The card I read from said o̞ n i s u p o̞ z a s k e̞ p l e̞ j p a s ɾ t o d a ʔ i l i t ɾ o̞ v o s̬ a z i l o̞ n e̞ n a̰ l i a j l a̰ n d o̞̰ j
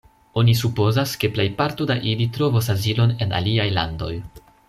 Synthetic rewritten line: o̞ n i s u p o̞ z a s k e̞ p l e̞ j p a ɾ t o d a ʔ i l i t ɾ o̞ v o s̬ a z i l o̞ n e̞ n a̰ l i a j l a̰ n d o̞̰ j